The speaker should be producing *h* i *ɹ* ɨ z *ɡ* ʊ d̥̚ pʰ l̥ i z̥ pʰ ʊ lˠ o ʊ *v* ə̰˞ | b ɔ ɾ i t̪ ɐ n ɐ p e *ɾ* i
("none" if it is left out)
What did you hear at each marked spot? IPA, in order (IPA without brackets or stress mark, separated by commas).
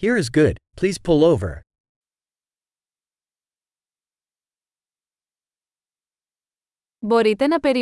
h, ɹ, ɡ, v, ɾ